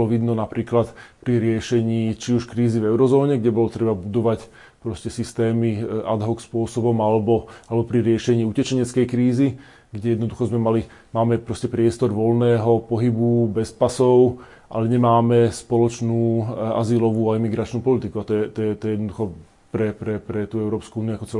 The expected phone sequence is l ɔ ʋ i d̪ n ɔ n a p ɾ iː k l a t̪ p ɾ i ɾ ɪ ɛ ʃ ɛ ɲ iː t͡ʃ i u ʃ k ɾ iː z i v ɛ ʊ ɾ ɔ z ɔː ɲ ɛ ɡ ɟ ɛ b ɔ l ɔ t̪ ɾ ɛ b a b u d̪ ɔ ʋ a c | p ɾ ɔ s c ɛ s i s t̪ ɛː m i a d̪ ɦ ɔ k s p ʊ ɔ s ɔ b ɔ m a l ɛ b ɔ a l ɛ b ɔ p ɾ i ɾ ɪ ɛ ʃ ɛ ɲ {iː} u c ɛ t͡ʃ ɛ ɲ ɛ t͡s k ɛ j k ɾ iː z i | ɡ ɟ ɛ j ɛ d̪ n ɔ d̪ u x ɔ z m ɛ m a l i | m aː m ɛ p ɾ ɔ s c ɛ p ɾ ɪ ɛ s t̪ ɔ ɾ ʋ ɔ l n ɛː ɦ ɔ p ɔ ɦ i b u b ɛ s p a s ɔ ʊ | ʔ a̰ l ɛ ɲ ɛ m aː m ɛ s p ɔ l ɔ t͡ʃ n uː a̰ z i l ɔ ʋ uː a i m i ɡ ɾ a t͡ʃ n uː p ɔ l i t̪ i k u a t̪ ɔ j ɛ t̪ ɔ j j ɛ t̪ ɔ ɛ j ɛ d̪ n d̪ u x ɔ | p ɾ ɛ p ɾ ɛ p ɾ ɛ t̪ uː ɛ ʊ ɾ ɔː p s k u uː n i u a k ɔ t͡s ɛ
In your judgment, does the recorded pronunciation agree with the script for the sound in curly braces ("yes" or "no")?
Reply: yes